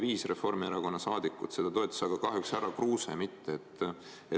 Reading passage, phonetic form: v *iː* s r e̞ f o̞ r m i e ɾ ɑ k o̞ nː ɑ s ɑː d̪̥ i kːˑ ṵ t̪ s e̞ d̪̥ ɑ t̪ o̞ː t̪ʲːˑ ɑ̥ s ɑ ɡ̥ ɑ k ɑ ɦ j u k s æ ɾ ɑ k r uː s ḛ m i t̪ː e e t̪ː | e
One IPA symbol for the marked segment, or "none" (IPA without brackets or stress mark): iː